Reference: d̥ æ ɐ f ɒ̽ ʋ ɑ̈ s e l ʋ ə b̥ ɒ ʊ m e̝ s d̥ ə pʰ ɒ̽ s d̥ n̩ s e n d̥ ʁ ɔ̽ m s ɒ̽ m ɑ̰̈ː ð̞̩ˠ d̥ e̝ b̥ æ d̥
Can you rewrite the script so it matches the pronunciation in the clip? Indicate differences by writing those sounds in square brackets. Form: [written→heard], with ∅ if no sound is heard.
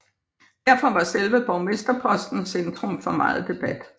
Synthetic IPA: d̥ æ ɐ f ɒ̽ ʋ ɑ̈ s e l ʋ ə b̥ ɒ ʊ m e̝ s d̥ [ə→ɐ] pʰ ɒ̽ s d̥ n̩ s e n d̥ ʁ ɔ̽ m [s→f] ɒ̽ m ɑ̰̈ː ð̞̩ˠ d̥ e̝ b̥ æ d̥